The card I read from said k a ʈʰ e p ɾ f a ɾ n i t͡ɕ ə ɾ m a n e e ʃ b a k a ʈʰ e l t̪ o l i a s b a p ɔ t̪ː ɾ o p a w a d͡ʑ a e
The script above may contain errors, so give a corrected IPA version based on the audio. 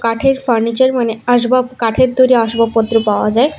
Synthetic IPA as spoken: k a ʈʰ e ɾ f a ɾ n i t͡ɕ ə ɾ m a n e a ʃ b a k a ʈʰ e ɾ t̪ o ɾ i a ʃ b a p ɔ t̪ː ɾ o p a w a d͡ʑ a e